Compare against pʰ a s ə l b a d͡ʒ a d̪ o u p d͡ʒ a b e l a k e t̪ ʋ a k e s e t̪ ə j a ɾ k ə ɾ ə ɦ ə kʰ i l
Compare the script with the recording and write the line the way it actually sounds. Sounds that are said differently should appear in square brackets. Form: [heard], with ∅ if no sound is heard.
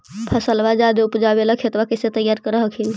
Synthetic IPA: pʰ [ə] s ə l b a d͡ʒ a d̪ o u p d͡ʒ a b e l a [kʰ] e t̪ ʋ a k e s e t̪ ə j a ɾ k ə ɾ ə ɦ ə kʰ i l